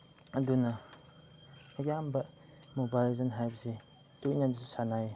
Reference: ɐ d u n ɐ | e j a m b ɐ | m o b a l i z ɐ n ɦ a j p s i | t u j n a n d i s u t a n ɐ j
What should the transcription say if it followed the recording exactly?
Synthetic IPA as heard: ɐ d u n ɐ | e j a m b ɐ | m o b a l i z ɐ n ɦ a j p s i | t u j n a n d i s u s a n a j

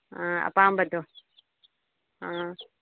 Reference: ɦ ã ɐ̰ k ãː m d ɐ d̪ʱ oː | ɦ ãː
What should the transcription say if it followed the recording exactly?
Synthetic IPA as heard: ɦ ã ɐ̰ p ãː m b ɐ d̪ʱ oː | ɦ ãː

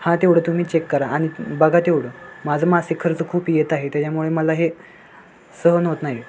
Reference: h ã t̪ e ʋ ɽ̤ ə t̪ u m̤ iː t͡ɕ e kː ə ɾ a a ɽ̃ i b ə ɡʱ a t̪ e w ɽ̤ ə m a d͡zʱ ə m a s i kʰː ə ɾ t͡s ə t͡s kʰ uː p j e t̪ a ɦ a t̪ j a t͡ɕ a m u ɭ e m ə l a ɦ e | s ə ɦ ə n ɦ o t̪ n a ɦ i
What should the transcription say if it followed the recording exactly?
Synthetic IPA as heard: h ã t̪ e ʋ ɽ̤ ə t̪ u m̤ iː t͡ɕ e kː ə ɾ a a ɽ̃ i b ə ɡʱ a t̪ e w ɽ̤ ə m a d͡zʱ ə m a s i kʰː ə ɾ t͡s ə kʰ uː p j e t̪ a ɦ e t̪ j a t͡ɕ a m u ɭ e m ə l a ɦ e | s ə ɦ ə n ɦ o t̪ n a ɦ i

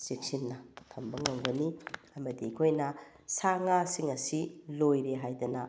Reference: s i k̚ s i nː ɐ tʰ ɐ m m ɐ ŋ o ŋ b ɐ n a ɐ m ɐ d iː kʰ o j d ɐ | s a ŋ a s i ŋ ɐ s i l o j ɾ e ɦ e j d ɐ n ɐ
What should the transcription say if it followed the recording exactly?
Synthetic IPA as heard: s i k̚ s i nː ɐ tʰ ɐ m b ɐ ŋ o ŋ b ɐ n i ɐ m ɐ d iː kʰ o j n ɐ | s a ŋ a s i ŋ ɐ s i l o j ɾ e ɦ a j d ɐ n ɐ

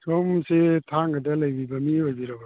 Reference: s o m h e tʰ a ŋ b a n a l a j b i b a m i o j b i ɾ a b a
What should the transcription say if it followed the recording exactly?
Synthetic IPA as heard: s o m s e tʰ a ŋ ɡ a d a l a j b i b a m i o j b i ɾ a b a

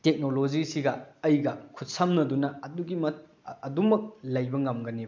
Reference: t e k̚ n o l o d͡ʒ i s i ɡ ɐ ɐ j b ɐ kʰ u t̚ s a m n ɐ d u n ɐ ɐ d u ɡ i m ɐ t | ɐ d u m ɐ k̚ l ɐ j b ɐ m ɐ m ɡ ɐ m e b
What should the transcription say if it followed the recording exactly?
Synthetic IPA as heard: t e k̚ n o l o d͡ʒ i s i ɡ ɐ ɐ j ɡ ɐ kʰ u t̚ s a m n ɐ d u n ɐ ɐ d u ɡ i m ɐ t | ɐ d u m ɐ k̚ l ɐ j b ɐ ŋ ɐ m ɡ ɐ n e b

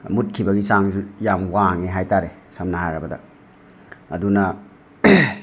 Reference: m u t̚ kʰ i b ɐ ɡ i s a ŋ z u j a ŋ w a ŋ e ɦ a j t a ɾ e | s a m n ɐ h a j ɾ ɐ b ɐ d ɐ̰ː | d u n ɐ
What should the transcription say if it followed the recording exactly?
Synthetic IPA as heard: m u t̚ kʰ i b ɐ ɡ i s a ŋ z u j a m w a ŋ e ɦ a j t a ɾ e | s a m n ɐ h a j ɾ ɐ b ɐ d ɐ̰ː | d u n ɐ

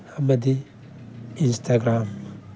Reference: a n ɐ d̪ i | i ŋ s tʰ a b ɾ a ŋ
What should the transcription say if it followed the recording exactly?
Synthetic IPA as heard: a m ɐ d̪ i | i n s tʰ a ɡ ɾ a m

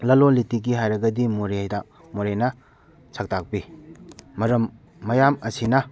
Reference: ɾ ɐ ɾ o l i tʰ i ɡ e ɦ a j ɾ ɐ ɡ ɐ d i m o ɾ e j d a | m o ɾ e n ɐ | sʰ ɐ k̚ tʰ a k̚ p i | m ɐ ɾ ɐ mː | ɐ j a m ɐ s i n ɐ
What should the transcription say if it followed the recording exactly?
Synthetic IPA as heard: l ɐ l o l i t i ɡ i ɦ a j ɾ ɐ ɡ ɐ d i m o ɾ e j d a | m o ɾ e n ɐ | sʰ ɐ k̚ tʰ a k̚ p i | m ɐ ɾ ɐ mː | ɐ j a m ɐ s i n ɐ

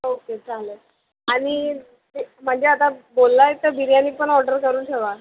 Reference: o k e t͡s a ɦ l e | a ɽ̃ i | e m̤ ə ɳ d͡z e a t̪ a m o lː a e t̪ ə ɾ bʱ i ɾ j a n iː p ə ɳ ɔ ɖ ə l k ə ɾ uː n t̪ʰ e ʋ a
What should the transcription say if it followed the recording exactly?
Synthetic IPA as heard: o k e t͡s a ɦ l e | a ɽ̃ i | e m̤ ə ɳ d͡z e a t̪ a b o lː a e t̪ ə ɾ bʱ i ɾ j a n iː p ə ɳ ɔ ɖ ə ɾ k ə ɾ uː n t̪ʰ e ʋ a

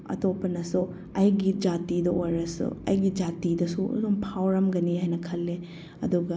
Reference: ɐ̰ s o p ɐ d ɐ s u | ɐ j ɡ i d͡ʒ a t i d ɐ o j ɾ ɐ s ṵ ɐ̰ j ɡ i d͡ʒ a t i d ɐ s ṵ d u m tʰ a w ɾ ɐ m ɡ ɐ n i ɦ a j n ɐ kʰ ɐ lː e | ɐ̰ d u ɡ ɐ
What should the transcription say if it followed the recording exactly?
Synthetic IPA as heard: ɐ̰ t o p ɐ n ɐ s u | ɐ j ɡ i d͡ʒ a t i d ɐ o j ɾ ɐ s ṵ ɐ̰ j ɡ i d͡ʒ a t i d ɐ s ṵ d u m pʰ a w ɾ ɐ m ɡ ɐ n i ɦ a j n ɐ kʰ ɐ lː e | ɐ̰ d u ɡ ɐ

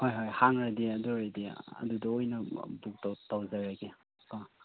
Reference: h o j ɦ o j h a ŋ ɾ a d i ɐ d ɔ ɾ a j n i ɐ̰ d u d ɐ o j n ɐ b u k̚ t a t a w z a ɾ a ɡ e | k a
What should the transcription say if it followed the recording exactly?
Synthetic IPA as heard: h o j ɦ o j h a ŋ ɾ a d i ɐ d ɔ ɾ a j d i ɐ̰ d u d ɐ o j n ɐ b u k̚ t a t a w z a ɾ a ɡ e | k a

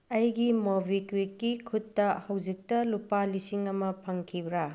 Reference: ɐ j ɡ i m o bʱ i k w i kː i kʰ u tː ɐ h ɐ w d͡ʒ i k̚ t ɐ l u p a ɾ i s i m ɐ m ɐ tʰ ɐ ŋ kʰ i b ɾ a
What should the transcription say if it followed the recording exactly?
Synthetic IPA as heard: ɐ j ɡ i m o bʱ i k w i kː i kʰ u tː ɐ h ɐ w d͡ʒ i k̚ t ɐ l u p a l i s i ŋ ɐ m ɐ pʰ ɐ ŋ kʰ i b ɾ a

